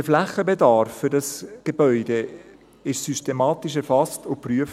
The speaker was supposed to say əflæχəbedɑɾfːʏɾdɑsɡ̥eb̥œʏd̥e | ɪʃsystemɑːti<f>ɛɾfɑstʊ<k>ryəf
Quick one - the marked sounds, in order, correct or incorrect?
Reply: incorrect, incorrect

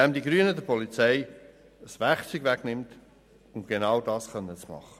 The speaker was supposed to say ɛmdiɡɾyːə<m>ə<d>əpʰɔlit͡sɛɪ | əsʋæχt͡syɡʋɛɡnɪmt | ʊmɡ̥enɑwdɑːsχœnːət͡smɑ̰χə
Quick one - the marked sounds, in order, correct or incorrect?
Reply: incorrect, correct

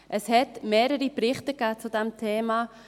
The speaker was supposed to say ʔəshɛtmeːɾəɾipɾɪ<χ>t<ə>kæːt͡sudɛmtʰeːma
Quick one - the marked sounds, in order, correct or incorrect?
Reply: correct, correct

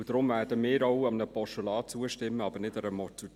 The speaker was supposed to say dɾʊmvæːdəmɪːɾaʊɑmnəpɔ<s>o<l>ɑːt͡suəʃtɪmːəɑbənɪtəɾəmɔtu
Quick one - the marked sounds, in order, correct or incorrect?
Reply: incorrect, correct

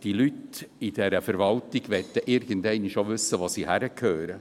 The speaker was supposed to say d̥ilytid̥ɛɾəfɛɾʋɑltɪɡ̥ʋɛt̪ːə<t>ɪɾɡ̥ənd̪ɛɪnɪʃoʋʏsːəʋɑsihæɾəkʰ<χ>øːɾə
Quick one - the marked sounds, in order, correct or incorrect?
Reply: incorrect, incorrect

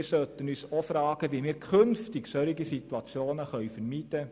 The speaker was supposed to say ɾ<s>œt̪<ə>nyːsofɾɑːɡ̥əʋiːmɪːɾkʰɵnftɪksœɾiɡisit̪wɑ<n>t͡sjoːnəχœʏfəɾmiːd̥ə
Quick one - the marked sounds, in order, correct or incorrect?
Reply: correct, correct, incorrect

